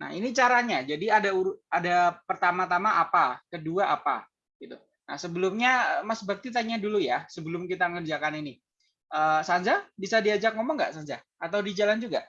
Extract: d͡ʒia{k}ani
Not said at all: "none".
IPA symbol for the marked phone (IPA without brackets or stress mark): k